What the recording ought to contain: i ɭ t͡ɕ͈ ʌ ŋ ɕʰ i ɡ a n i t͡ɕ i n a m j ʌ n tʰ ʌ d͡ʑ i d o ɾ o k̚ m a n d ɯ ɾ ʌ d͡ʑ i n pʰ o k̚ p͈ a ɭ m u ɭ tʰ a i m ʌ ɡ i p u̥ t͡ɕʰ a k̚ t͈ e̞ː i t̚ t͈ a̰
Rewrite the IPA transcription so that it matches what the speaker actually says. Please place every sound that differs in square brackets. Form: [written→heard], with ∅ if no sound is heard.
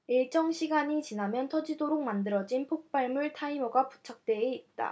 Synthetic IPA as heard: i ɭ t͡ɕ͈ ʌ ŋ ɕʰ i ɡ a [n→ɲ] i t͡ɕ i n a m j ʌ n tʰ ʌ d͡ʑ i d o ɾ o k̚ m a n d ɯ ɾ ʌ d͡ʑ i n pʰ o k̚ p͈ a ɭ m u ɭ tʰ a i m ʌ ɡ [i→a] p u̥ t͡ɕʰ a k̚ t͈ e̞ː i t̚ t͈ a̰

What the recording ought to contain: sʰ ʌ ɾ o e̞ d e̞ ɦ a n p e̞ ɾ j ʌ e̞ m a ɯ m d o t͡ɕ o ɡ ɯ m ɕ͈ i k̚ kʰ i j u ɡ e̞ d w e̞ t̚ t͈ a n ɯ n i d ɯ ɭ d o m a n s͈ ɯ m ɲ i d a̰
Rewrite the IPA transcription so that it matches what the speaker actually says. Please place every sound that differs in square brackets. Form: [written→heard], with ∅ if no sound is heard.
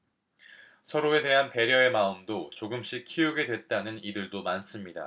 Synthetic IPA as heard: sʰ ʌ ɾ o e̞ d e̞ ɦ a n p e̞ ɾ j ʌ e̞ m a ɯ m d o t͡ɕ o ɡ ɯ m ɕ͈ i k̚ kʰ i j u ɡ e̞ d w e̞ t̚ t͈ a n ɯ n i d ɯ ɭ d o m a n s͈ ɯ m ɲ i d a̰

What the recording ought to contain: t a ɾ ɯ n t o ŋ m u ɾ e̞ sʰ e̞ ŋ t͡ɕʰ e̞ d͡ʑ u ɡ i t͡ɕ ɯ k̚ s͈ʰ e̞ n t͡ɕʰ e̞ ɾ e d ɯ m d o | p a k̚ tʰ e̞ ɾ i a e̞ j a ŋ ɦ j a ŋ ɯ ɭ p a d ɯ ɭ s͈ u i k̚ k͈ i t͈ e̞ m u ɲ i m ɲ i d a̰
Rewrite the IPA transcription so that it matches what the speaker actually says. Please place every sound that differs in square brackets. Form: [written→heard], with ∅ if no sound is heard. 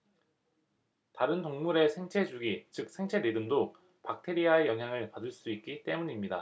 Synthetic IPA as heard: t a ɾ ɯ n t o ŋ m u ɾ e̞ sʰ e̞ ŋ t͡ɕʰ e̞ d͡ʑ u ɡ i t͡ɕ ɯ k̚ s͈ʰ e̞ [n→ŋ] t͡ɕʰ e̞ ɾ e d ɯ m d o | p a k̚ tʰ e̞ ɾ i a e̞ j [a→ʌ] ŋ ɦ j a ŋ ɯ ɭ p a d ɯ ɭ s͈ u i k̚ k͈ i t͈ e̞ m u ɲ i m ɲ i d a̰

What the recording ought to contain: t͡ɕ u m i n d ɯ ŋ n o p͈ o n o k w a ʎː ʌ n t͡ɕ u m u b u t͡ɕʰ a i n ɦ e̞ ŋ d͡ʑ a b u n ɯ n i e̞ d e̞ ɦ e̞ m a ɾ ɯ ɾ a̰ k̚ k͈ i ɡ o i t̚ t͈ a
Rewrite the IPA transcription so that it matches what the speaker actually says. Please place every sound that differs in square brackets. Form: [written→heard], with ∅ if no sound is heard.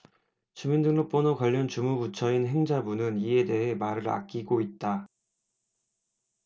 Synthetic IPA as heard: t͡ɕ u m i n d ɯ ŋ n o p͈ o n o k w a ʎː ʌ n t͡ɕ u m u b u t͡ɕʰ [a→ʌ] i n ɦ e̞ ŋ d͡ʑ a b u n ɯ n i e̞ d e̞ ɦ e̞ m a ɾ ɯ ɾ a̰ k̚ k͈ i ɡ o i t̚ t͈ a

